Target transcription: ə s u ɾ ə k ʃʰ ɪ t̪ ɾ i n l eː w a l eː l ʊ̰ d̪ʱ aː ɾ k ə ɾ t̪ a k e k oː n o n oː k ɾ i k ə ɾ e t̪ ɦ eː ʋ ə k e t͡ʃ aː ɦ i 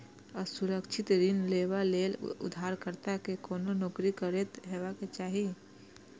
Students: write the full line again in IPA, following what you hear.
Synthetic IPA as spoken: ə s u ɾ ə k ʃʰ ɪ t̪ ɾ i n l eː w a l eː l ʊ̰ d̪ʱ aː ɾ k ə ɾ t̪ a k e k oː n o n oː k ɾ i k ə ɾ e t̪ ɦ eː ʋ a k e t͡ʃ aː ɦ i

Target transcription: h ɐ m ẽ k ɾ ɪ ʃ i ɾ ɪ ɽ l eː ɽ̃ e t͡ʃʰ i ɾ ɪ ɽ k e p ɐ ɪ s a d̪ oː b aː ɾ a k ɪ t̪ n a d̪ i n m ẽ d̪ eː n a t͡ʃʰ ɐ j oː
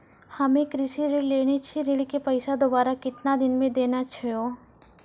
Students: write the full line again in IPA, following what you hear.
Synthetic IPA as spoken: h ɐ m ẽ k ɾ ɪ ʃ i ɾ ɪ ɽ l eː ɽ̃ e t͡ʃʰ i ɾ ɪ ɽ k e p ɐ ɪ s a d̪ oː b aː ɾ a k ɪ t̪ n a d̪ ɪ n m ẽ d̪ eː n a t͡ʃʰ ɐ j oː

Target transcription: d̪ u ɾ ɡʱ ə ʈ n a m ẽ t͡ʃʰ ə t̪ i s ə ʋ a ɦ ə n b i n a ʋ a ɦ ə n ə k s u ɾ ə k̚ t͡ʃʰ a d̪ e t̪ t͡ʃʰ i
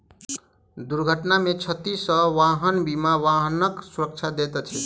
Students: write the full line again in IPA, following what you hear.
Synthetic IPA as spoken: d̪ u ɾ ɡʱ ə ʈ n a m e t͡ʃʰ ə t̪ i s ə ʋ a ɦ ə n b i m a ʋ a ɦ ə n ə k s u ɾ ə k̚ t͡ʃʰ a d̪ e t̪ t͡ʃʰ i

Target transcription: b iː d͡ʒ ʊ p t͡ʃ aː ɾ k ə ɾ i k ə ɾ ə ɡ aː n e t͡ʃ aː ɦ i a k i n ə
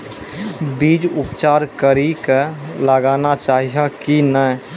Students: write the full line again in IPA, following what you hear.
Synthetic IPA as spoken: b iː d͡ʒ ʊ p t͡ʃ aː ɾ k ə ɾ i k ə l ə ɡ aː n a t͡ʃ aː ɦ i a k i n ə

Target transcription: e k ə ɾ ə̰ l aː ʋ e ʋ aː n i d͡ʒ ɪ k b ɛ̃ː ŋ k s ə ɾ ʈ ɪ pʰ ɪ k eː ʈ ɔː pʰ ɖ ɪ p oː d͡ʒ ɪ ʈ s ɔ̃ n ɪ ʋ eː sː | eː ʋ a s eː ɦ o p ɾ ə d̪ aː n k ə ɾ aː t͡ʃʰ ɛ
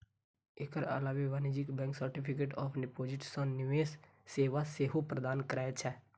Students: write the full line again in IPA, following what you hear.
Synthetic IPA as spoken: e k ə ɾ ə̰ l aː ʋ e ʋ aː n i d͡ʒ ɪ k b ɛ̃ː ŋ k s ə ɾ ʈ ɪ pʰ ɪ k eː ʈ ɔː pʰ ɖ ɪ p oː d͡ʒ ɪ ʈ s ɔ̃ n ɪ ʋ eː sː | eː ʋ a s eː ɦ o p ɾ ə d̪ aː n k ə ɾ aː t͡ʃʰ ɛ

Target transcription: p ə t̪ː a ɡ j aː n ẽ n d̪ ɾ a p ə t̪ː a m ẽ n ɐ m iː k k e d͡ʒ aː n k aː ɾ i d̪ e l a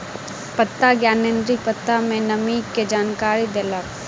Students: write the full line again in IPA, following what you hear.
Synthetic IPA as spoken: p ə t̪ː a ɡ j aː n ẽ n d̪ ɾ i p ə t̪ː a m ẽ n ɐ m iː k k e d͡ʒ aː n k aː ɾ i d̪ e l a

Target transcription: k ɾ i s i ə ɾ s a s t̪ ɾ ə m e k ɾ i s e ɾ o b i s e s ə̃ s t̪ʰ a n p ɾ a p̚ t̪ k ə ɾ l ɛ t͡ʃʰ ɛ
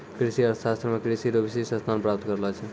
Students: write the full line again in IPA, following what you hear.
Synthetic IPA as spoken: k ɾ i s i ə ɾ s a s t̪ ɾ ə m e k ɾ i s i ɾ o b i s e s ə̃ s t̪ʰ a n p ɾ a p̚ t̪ k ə ɾ l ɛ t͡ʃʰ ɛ

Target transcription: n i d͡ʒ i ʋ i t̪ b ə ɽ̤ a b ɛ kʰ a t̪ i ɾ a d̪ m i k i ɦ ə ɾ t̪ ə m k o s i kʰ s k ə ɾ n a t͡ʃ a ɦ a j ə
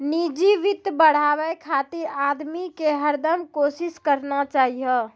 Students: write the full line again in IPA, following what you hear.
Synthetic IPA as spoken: n i d͡ʒ i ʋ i t̪ b ə ɽ̤ a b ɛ kʰ a t̪ i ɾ a d̪ m i k e ɦ ə ɾ d̪ ə m k o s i s k ə ɾ n a t͡ʃ a ɦ i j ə

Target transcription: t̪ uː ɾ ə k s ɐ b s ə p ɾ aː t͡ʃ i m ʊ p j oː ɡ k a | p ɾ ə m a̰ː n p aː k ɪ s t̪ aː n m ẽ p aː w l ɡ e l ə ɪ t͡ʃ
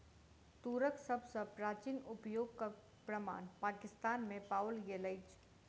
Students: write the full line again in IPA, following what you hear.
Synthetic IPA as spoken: t̪ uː ɾ ə k s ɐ b s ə p ɾ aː t͡ʃ i n ʊ p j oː ɡ k a | p ɾ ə m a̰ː n p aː k ɪ s t̪ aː n m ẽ p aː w l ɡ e l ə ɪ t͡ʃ

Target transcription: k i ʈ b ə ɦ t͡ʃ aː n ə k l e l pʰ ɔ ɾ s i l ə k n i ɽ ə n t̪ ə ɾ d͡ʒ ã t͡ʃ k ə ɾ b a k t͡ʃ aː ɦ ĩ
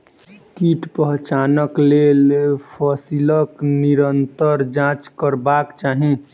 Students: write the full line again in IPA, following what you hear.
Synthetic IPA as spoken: k i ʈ p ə ɦ t͡ʃ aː n ə k l e l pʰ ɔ s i l ə k n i ɾ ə n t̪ ə ɾ d͡ʒ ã t͡ʃ k ə ɾ b a k t͡ʃ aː ɦ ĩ

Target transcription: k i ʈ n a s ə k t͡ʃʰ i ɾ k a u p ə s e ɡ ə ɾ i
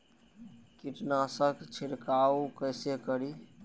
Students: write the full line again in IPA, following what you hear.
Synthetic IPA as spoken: k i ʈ n a s ə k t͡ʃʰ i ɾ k a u k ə s e k ə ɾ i

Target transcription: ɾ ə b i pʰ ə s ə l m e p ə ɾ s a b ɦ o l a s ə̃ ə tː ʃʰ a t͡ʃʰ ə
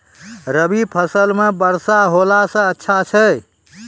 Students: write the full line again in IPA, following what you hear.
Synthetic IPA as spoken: ɾ ə b i pʰ ə s ə l m e b ə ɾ s a ɦ o l a s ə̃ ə tː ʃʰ a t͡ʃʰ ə

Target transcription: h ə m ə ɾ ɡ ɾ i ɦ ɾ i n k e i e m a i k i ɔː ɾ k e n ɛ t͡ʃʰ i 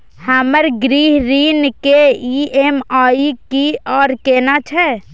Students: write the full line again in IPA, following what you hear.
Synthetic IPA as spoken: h ə m ə ɾ ɡ ɾ i ɦ ɾ i n k e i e m a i k i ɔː ɾ k e n a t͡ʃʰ ɛ

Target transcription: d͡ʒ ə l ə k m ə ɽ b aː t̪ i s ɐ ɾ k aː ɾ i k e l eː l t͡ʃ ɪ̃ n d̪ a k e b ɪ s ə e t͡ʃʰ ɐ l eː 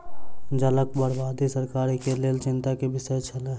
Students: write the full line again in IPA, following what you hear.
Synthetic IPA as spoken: d͡ʒ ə l ə k b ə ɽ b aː d̪ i s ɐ ɾ k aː ɾ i k e l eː l t͡ʃ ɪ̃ n t̪ a k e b ɪ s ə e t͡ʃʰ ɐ l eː

